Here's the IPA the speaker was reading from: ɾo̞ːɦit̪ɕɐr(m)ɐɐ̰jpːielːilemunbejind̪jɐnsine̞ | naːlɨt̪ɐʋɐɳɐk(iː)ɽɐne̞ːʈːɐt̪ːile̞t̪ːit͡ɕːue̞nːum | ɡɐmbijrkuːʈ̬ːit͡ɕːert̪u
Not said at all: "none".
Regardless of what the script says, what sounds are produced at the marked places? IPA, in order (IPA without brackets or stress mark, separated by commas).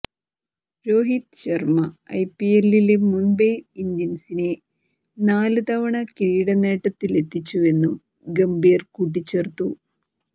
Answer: m, iː